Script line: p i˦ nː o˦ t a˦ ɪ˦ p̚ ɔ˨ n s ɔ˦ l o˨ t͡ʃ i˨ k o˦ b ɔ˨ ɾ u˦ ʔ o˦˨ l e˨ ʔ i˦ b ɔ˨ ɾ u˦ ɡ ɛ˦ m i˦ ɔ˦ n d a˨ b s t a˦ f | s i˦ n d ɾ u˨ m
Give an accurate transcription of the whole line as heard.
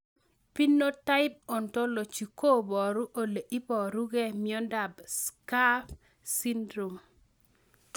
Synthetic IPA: p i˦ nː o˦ t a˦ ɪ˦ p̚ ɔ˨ n t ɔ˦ l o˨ t͡ʃ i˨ k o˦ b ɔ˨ ɾ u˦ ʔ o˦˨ l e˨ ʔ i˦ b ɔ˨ ɾ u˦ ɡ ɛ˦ m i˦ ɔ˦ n d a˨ b s k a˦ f | s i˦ n d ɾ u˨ m